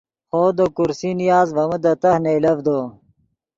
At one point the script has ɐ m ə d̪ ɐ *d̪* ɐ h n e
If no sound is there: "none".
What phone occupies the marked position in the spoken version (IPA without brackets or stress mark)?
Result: t̪